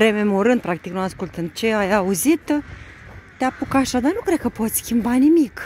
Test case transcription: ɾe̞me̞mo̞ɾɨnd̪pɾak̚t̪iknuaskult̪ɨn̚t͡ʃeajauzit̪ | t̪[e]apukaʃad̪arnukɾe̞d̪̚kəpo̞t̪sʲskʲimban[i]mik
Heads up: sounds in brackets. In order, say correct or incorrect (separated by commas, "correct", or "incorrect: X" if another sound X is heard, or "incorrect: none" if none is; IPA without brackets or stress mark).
correct, correct